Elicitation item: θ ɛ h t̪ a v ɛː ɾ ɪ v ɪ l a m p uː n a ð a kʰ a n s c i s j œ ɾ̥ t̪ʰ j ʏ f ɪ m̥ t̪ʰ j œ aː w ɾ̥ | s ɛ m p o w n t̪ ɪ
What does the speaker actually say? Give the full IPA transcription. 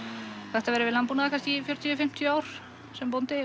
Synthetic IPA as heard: θ ɛ h t̪ a v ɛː ɾ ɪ v ɪ l a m p u n a ð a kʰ a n s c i f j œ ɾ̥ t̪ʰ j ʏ f ɪ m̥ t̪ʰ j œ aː w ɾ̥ | s ɛ m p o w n t̪ ɪ

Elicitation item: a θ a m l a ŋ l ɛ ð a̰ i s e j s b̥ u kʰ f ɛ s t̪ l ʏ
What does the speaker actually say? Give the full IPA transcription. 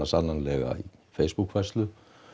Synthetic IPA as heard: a s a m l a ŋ l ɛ ɣ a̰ i f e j s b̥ u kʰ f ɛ s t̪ l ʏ

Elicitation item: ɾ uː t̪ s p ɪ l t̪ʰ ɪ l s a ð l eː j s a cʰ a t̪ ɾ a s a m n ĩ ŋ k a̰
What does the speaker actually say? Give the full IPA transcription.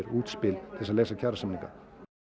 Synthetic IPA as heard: ɾ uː t̪ s p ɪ l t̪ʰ ɪ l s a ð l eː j s a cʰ a ɾ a s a m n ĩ ŋ k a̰

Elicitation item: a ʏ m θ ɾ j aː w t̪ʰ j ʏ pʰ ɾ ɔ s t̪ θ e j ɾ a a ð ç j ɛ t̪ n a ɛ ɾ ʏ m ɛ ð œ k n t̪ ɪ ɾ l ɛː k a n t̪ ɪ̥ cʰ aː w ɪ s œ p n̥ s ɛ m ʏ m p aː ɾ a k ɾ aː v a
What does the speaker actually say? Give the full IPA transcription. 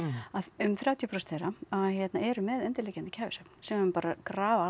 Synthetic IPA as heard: a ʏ m θ ɾ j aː w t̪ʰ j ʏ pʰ ɾ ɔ s t̪ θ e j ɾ a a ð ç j ɛ t̪ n a ɛ ɾ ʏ m ɛ ð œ n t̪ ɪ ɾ l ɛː c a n t̪ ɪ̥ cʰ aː v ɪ s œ p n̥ s ɛ m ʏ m p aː ɾ a k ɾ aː v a

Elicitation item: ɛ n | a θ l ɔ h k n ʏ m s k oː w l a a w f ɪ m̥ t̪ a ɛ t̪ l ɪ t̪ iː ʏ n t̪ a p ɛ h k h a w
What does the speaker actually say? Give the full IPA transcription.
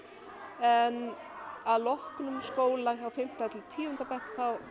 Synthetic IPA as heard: ɛ n | a ð l ɔ h k n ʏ m s k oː w l a a w f ɪ m̥ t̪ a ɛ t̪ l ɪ t̪ʰ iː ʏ n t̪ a p ɛ h k θ a w

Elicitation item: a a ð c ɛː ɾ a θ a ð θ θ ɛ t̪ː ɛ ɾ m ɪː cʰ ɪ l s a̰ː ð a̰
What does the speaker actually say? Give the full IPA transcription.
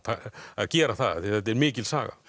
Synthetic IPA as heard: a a ð c ɛː ɾ a θ a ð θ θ ɛ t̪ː ɛ ɾ m ɪː c ɪ l s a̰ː ɣ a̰

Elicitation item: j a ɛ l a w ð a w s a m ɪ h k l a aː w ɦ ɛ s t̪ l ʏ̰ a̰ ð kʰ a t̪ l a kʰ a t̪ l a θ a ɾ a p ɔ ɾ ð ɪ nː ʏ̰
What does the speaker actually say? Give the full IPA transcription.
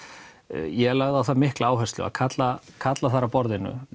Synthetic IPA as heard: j ɛ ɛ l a ɣ ð a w θ a m ɪ h k l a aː w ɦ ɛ s t̪ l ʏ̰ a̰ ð kʰ a t̪ l a kʰ a t̪ l a θ a ɾ a p ɔ ɾ ð ɪ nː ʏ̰

